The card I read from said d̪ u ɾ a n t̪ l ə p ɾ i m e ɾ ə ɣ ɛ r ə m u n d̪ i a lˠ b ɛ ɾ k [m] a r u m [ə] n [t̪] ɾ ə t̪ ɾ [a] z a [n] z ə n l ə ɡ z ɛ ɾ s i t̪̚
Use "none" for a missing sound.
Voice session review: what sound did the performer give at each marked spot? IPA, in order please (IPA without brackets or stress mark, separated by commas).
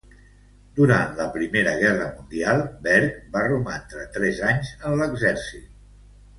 b, a, t̪, ɛ, ɲ